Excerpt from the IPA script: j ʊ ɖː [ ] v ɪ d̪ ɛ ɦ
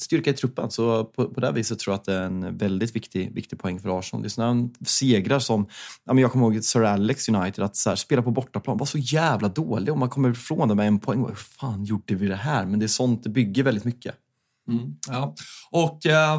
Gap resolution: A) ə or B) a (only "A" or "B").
A